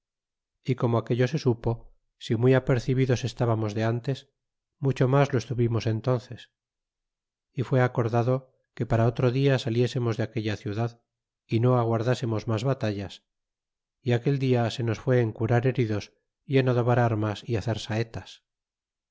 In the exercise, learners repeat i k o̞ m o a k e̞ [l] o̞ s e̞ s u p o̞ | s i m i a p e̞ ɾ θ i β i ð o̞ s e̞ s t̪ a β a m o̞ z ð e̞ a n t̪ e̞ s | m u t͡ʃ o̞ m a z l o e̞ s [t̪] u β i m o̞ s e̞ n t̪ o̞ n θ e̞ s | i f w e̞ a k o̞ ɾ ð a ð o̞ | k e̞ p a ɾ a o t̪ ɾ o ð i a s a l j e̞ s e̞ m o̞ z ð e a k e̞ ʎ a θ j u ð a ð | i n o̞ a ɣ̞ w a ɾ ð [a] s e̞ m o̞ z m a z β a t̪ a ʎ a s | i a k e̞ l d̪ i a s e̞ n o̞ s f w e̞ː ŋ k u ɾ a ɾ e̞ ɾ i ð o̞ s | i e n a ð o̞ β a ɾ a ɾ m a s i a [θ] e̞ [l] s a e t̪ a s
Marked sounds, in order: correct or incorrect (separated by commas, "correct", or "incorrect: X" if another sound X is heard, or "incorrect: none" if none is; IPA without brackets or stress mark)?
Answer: incorrect: ʎ, correct, correct, correct, incorrect: ɾ